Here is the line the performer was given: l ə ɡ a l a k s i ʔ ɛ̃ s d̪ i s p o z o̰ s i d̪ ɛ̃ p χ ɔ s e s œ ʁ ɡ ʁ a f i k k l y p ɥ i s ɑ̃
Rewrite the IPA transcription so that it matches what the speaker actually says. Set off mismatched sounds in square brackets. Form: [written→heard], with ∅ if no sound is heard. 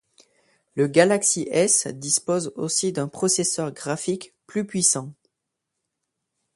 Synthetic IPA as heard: l ə ɡ a l a k s i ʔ [ɛ̃→ɛ] s d̪ i s p o z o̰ s i d̪ ɛ̃ p χ ɔ s e s œ ʁ ɡ ʁ a f i k [k→p] l y p ɥ i s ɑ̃

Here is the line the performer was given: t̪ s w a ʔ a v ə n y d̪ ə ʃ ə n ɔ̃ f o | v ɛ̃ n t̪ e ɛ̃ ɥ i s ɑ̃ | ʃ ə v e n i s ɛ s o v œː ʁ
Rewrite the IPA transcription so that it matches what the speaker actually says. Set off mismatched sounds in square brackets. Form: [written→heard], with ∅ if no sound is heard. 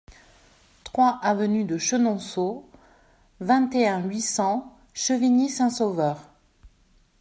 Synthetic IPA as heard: t̪ [s→χ] w a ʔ a v ə n y d̪ ə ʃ ə n ɔ̃ [f→s] o | v ɛ̃ [n→∅] t̪ e ɛ̃ ɥ i s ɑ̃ | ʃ ə v [e→i] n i s [ɛ→ɛ̃] s o v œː ʁ

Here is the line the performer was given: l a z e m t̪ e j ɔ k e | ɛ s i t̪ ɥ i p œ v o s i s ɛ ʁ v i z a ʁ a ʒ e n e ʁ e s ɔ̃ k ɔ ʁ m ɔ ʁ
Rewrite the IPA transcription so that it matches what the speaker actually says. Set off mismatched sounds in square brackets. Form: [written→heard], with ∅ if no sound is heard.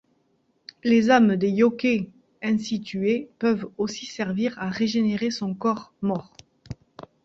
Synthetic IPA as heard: l [a→e] z [e→a] m [t̪→d̪] e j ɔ k e | [ɛ→ɛ̃] s i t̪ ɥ [i→e] p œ v o s i s ɛ ʁ v i [z→ʁ] a ʁ [a→e] ʒ e n e ʁ e s ɔ̃ k ɔ ʁ m ɔ ʁ

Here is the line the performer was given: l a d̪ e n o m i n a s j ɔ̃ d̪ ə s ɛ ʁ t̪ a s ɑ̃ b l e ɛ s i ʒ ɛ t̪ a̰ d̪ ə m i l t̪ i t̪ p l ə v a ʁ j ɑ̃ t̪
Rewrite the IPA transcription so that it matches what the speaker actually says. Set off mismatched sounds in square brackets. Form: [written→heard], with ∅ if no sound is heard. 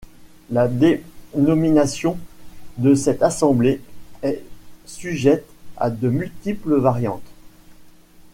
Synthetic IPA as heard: l a d̪ e n [o→ɔ] m i n a s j ɔ̃ d̪ ə s ɛ [ʁ→∅] t̪ a s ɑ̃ b l e ɛ s [i→y] ʒ ɛ t̪ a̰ d̪ ə m [i→y] l t̪ i [t̪→∅] p l ə v a ʁ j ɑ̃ t̪

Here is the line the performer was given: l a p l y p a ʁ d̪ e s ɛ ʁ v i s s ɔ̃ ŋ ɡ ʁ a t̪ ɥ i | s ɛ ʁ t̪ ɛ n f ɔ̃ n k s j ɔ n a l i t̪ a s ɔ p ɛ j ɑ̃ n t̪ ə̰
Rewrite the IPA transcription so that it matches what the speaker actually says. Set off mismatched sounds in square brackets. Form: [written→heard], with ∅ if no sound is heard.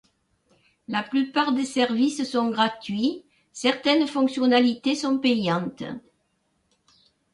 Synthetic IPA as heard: l a p l y p a ʁ d̪ e s ɛ ʁ v i s s ɔ̃ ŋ ɡ ʁ a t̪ ɥ i | s ɛ ʁ t̪ ɛ n f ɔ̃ [n→ŋ] k s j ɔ n a l i t̪ [a→e] s [ɔ→ɔ̃] p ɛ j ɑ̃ n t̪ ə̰

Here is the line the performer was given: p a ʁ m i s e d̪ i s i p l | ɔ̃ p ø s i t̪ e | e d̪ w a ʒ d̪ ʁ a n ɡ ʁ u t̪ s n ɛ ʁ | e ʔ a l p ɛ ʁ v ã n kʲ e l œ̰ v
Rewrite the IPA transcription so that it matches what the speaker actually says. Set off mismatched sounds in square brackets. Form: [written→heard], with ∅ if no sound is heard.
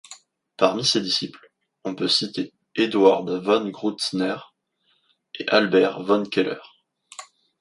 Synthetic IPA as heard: p a ʁ m i s e d̪ i s i p l | ɔ̃ p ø s i t̪ e | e d̪ w a [ʒ→ʁ] d̪ [ʁ→v] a n ɡ ʁ u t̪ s n ɛ ʁ | e ʔ a l [p→b] ɛ ʁ v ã n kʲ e l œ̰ [v→ʁ]

